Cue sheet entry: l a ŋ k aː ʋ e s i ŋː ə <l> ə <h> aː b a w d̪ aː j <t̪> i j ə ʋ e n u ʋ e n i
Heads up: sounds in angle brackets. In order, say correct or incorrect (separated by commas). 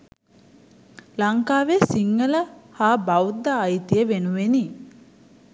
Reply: correct, correct, correct